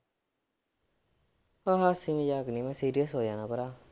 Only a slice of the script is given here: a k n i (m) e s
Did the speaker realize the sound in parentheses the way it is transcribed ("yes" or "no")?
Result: yes